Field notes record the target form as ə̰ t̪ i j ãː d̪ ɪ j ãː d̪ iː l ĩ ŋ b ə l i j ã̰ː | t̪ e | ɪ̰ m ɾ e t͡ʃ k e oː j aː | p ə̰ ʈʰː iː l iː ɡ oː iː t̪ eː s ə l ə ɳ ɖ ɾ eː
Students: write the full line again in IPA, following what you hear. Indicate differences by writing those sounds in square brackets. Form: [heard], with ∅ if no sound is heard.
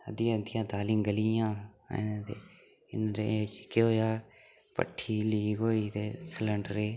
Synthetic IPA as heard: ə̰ [d̪] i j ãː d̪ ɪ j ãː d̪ [aː] l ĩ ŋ [ɡ] ə l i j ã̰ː | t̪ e | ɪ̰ [n] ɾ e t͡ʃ k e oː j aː | p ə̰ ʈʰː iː l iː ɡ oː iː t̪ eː s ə l ə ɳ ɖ ɾ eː